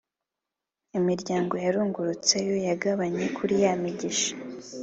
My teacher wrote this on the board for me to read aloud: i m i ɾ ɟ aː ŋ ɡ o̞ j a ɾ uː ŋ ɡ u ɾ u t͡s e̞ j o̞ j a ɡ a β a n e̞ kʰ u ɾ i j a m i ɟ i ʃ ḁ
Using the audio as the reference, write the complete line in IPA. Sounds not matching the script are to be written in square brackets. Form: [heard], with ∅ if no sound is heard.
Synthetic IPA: i m i ɾ ɟ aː ŋ ɡ o̞ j a ɾ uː ŋ ɡ u ɾ u t͡s e̞ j o̞ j a ɡ a β a [ɲ] e̞ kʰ u ɾ i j a m i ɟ i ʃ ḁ